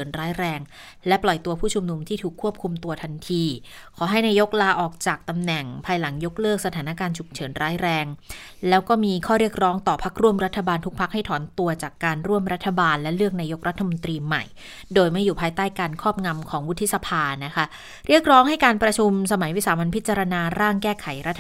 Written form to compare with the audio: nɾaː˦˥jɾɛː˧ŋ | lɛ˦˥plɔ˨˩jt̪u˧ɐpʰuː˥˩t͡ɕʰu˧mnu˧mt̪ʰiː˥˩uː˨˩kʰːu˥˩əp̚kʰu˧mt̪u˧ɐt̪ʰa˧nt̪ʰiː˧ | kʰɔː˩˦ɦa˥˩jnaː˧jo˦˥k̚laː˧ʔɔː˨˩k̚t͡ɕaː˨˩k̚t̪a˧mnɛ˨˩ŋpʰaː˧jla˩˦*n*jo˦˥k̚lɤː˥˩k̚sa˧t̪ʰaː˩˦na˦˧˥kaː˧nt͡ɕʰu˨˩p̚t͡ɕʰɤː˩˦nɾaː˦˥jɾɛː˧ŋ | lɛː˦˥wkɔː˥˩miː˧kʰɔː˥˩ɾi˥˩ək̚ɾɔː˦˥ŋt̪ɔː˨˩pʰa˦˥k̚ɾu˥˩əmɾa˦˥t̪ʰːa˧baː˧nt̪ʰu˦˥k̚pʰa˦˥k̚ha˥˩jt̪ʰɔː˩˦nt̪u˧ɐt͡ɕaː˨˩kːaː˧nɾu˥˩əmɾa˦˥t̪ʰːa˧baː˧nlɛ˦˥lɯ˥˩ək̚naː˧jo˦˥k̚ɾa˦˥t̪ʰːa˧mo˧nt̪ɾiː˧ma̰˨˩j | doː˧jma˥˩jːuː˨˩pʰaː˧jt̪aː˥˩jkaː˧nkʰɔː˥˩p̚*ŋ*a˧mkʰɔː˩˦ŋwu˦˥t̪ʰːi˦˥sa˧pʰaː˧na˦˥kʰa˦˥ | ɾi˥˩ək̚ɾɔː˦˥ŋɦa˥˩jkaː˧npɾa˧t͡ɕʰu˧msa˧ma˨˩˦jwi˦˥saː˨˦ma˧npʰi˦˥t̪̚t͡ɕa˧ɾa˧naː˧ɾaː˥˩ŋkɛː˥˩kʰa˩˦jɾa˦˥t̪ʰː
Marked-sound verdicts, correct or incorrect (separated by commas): incorrect, correct